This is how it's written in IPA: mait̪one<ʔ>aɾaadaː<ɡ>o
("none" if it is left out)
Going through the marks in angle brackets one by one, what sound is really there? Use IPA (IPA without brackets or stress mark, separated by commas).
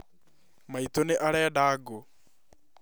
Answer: ʔ, ɡ